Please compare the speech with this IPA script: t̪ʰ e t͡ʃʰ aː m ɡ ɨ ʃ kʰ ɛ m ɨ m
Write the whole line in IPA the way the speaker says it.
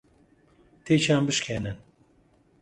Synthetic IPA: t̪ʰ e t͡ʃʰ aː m b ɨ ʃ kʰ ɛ n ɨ n

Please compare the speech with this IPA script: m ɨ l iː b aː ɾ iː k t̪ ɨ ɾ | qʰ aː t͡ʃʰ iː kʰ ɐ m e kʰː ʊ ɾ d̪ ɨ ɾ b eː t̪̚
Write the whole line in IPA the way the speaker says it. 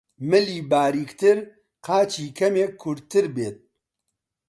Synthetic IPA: m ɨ l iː b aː ɾ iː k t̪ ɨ ɾ | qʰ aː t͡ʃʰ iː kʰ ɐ m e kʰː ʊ ɾ t̪ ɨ ɾ b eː t̪̚

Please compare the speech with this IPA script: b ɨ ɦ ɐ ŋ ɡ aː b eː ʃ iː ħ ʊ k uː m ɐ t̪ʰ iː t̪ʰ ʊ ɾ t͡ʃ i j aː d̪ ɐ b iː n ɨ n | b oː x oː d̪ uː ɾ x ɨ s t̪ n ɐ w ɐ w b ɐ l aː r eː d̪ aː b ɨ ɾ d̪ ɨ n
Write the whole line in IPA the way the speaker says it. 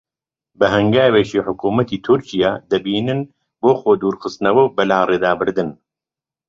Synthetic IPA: b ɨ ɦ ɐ ŋ ɡ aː w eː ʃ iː ħ ʊ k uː m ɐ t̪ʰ iː t̪ʰ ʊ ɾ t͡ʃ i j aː d̪ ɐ b iː n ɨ n | b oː x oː d̪ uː ɾ x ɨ s t̪ n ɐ w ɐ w b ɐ l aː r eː d̪ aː b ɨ ɾ d̪ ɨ n

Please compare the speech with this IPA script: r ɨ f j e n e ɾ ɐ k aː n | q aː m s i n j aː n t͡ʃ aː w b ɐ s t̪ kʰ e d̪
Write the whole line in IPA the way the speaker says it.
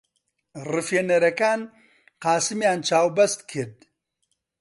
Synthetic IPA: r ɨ f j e n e ɾ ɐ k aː n | q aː s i m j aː n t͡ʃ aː w b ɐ s t̪ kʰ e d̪

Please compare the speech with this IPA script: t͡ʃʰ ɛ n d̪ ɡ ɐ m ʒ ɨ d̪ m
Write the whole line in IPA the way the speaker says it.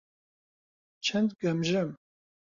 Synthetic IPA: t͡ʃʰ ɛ n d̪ ɡ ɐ m ʒ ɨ m

